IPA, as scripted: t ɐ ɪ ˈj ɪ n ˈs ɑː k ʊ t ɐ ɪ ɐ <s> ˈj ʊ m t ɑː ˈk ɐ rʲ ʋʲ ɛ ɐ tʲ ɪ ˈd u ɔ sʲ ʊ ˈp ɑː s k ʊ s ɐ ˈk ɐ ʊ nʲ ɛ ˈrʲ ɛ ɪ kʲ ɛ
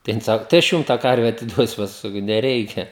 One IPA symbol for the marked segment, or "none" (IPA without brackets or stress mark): ʃ